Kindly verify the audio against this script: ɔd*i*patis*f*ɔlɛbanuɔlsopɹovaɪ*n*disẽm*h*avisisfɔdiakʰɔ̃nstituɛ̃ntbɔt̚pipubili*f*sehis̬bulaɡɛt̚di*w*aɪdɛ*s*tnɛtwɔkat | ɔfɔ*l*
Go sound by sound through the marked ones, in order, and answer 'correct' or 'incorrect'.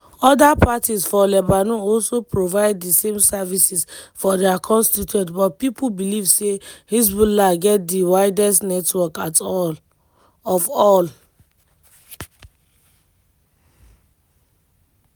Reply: incorrect: a, correct, incorrect: d, incorrect: s, incorrect: v, correct, correct, correct

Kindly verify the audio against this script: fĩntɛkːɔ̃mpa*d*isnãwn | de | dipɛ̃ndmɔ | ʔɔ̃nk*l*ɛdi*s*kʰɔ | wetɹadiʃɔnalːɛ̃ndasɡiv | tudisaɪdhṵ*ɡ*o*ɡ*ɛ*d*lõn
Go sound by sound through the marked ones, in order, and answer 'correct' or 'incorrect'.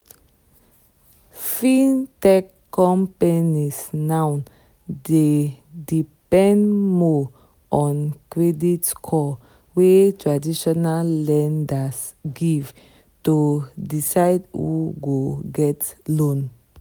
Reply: incorrect: n, incorrect: ɹ, incorrect: t, correct, correct, incorrect: t

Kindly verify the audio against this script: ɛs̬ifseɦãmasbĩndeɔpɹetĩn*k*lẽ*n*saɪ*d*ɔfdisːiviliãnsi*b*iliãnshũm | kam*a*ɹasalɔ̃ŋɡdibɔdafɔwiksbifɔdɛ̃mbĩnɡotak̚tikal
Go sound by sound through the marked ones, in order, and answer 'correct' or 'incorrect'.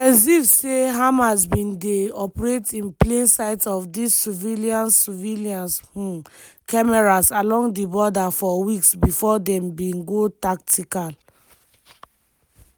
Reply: incorrect: p, correct, incorrect: t, incorrect: v, incorrect: ɛ

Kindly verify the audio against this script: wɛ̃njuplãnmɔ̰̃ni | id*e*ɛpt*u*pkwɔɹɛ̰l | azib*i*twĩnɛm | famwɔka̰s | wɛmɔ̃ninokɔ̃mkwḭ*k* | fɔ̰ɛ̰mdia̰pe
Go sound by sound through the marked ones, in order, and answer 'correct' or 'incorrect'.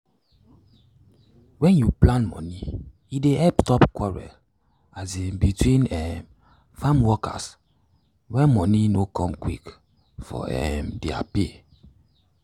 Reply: correct, incorrect: ɔ, correct, correct

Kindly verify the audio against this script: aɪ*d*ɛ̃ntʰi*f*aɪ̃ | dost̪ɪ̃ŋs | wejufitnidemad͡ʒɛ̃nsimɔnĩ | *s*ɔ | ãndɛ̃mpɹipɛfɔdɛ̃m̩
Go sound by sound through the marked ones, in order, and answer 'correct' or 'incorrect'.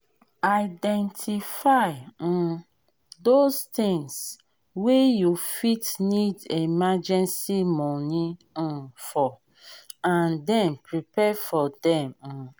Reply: correct, correct, incorrect: f

